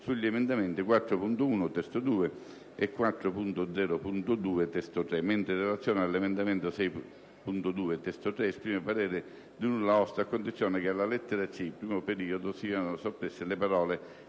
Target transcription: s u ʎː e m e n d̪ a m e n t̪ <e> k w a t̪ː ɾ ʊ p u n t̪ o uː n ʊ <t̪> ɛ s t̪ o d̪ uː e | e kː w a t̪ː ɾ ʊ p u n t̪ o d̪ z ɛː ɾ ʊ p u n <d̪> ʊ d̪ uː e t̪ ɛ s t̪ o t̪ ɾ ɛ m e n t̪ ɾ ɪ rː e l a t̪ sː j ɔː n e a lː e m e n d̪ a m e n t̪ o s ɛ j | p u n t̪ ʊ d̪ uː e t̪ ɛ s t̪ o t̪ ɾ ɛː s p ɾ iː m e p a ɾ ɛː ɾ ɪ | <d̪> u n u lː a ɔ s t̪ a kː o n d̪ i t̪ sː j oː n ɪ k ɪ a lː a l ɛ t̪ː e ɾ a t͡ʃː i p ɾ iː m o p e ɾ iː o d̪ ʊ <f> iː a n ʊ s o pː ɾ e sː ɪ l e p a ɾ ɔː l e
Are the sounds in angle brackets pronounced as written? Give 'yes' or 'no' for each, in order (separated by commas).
no, yes, no, yes, no